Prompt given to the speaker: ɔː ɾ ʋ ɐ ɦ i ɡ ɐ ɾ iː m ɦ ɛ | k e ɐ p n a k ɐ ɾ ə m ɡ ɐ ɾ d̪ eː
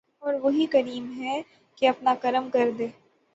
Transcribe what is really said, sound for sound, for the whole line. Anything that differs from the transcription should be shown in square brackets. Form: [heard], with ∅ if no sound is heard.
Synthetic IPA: ɔː ɾ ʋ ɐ ɦ i [k] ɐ ɾ iː m ɦ ɛ | k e ɐ p n a k ɐ ɾ ə m [k] ɐ ɾ d̪ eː